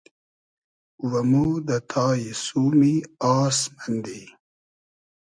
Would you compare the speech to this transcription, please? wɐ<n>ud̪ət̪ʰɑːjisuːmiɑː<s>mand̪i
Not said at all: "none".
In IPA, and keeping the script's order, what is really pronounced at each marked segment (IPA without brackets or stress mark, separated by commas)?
m, s